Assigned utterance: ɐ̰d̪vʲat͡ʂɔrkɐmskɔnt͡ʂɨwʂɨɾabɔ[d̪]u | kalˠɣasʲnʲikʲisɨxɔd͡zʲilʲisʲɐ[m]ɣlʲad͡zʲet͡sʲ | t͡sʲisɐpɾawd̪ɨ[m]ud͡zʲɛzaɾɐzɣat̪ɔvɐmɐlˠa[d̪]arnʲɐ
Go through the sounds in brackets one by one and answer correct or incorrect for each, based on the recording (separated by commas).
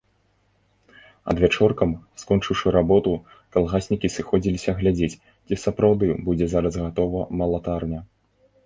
incorrect, incorrect, incorrect, incorrect